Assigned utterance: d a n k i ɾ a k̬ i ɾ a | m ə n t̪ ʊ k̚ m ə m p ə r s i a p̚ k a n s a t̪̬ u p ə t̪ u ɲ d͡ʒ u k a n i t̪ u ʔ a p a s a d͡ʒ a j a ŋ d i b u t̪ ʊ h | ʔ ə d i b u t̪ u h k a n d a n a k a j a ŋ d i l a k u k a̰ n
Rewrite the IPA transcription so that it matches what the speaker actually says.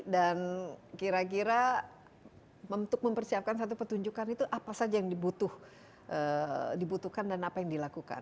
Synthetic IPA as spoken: d a n k i ɾ a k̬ i ɾ a | m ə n t̪ ʊ k̚ m ə m p ə r s i a p̚ k a n s a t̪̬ u p ə t̪ u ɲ d͡ʒ u k a n i t̪ u ʔ a p a s a d͡ʒ a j a ŋ d i b u t̪ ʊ h | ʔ ə d i b u t̪ u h k a n d a n a p a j a ŋ d i l a k u k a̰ n